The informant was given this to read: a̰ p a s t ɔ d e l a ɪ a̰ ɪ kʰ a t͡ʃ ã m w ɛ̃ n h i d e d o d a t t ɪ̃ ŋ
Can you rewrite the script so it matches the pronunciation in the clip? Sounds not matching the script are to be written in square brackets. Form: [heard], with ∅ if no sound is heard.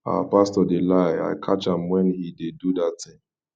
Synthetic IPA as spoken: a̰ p a s t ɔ d e l a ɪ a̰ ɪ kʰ a t͡ʃ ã m w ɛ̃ n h i d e d [u] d a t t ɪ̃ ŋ